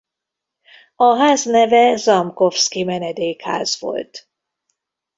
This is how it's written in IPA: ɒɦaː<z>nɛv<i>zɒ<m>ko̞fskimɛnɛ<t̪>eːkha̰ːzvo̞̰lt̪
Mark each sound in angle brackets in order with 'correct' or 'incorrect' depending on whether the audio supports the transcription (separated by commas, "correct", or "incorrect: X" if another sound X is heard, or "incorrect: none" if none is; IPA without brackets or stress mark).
correct, incorrect: ɛ, correct, incorrect: d̪